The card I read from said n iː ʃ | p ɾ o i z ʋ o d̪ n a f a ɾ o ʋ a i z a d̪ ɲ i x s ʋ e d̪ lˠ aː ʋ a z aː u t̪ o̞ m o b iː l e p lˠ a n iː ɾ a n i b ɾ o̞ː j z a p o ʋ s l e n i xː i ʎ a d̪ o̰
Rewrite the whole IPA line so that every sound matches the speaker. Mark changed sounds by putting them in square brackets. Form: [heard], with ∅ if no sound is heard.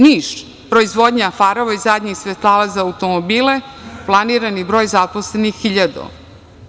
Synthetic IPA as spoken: n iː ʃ | p ɾ o i z ʋ o d̪ [ɲ] a f a ɾ o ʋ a i z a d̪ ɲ i x s ʋ e [t̪] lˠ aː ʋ a z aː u t̪ o̞ m o b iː l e p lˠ a n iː ɾ a n i b ɾ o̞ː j z a p o [∅] s l e n i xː i ʎ a d̪ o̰